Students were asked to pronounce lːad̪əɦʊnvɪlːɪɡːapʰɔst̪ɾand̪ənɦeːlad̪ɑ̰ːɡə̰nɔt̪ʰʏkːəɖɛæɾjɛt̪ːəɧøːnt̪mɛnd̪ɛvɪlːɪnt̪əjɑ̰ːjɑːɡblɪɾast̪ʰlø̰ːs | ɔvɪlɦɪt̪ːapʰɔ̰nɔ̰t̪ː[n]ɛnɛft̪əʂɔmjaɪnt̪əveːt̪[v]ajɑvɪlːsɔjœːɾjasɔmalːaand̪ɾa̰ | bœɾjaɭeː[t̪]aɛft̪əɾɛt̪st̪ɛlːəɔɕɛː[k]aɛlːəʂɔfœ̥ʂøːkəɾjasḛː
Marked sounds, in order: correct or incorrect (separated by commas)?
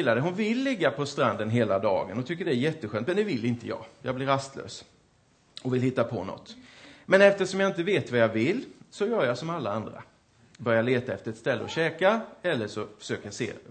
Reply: incorrect, correct, correct, correct